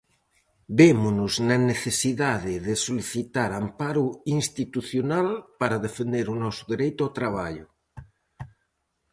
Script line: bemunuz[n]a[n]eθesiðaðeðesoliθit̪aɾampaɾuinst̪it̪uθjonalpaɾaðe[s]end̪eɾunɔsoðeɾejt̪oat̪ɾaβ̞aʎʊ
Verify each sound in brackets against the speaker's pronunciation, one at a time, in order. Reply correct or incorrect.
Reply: correct, correct, incorrect

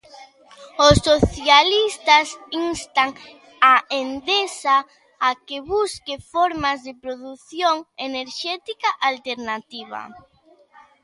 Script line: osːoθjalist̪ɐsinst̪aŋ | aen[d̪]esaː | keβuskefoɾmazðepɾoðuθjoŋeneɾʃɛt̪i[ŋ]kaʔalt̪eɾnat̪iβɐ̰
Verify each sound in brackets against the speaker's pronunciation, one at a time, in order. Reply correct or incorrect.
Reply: correct, incorrect

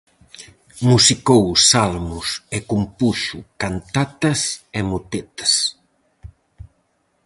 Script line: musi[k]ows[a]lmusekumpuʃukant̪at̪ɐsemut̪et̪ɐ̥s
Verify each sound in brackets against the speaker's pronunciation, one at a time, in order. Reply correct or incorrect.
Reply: correct, correct

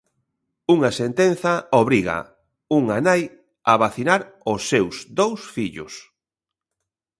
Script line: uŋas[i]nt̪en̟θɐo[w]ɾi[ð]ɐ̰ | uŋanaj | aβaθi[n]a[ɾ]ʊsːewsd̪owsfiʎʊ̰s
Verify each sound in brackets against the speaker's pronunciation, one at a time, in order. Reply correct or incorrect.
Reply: incorrect, incorrect, incorrect, correct, correct

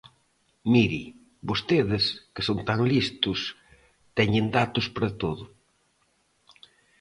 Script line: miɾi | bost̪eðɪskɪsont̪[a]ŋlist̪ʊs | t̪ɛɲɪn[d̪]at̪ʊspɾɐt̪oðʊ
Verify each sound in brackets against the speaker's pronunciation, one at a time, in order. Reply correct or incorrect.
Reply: correct, correct

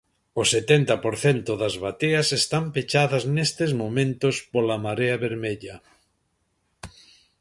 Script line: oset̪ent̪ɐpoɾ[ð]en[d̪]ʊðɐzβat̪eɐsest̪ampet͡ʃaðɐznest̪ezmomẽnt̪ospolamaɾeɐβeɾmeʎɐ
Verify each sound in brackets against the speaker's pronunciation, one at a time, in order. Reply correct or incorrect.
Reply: incorrect, incorrect

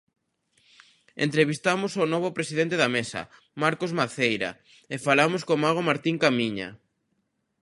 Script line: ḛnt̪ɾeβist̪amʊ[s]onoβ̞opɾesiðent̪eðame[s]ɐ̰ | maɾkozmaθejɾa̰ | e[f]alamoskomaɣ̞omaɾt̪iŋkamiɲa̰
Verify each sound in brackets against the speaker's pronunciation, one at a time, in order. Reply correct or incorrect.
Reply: correct, correct, correct

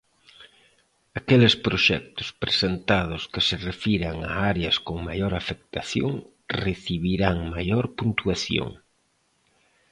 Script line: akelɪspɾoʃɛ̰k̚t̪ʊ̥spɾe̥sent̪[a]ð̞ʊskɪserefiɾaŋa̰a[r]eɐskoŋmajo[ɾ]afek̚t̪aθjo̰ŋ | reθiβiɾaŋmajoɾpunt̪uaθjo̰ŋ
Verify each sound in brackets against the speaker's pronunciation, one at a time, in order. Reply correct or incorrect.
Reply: correct, incorrect, correct

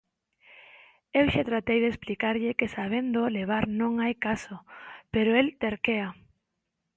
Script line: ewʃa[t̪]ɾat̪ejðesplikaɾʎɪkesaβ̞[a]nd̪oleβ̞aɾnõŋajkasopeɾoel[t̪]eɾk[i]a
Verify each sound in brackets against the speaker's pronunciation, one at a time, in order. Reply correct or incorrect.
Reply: correct, incorrect, correct, incorrect

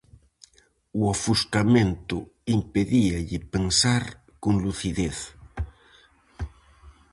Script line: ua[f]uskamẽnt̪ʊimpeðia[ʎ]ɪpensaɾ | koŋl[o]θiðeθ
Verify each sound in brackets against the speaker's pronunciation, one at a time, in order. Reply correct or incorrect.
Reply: correct, correct, incorrect

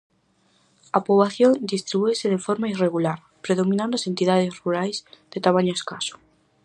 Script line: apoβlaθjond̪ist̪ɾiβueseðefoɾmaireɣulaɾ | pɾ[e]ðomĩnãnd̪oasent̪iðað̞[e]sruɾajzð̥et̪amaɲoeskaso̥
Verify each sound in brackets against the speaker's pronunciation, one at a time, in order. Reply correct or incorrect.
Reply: correct, correct

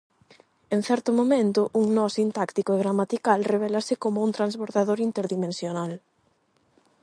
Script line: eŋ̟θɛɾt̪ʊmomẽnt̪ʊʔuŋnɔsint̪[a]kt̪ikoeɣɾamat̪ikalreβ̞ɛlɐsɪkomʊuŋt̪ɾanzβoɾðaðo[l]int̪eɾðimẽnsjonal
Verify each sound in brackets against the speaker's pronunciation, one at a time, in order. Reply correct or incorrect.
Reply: correct, incorrect

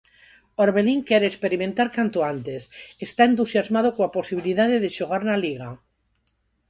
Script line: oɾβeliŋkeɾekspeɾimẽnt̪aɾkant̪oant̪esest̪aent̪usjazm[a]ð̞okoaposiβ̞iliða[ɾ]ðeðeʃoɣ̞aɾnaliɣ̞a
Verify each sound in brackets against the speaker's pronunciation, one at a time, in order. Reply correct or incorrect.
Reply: correct, incorrect

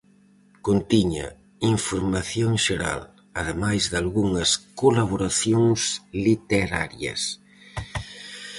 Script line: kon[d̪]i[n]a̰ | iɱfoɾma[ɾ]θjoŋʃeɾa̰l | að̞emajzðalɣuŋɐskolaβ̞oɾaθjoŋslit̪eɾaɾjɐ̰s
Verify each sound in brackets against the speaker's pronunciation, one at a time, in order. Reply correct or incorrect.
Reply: incorrect, incorrect, incorrect

